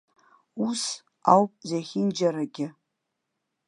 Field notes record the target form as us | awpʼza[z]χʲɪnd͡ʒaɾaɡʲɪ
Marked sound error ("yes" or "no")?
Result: yes